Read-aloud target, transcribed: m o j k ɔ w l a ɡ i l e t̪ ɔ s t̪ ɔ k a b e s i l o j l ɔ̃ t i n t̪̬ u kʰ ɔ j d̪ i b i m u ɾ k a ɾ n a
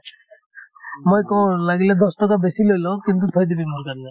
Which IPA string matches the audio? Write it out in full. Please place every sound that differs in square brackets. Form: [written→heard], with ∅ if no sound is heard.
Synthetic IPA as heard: m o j k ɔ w l a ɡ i l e [t̪→d̪] ɔ s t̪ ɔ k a b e s i l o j l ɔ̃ [t→k] i n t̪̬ u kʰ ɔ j d̪ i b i m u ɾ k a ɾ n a